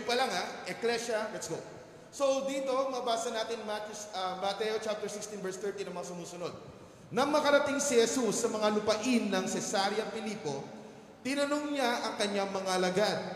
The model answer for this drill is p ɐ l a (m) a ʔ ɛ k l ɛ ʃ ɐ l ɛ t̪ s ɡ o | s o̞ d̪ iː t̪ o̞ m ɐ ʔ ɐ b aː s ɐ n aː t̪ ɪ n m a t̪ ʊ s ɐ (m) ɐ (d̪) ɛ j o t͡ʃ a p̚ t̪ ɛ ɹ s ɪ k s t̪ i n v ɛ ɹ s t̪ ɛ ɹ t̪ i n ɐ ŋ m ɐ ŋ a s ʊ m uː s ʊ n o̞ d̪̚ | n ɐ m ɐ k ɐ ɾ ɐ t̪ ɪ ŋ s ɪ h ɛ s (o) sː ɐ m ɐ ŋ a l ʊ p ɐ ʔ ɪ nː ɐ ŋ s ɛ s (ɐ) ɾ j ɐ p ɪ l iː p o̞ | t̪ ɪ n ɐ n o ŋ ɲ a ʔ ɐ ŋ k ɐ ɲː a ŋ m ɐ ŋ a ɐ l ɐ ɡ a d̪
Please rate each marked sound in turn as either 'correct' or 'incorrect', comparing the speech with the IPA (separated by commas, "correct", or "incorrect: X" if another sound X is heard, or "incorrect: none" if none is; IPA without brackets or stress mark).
incorrect: ŋ, correct, incorrect: t̪, incorrect: u, incorrect: a